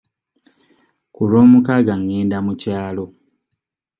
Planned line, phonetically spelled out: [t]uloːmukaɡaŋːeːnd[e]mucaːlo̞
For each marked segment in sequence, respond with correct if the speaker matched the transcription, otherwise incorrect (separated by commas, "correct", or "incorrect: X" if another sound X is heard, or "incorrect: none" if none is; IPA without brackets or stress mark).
incorrect: k, incorrect: a